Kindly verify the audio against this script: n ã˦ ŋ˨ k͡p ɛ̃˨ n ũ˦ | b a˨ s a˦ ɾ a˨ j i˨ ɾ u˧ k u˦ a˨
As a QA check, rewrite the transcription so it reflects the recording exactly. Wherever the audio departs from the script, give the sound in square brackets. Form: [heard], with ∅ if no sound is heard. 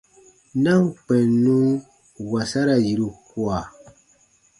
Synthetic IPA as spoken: n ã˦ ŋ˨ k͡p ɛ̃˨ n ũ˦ | [w] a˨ s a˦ ɾ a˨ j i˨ ɾ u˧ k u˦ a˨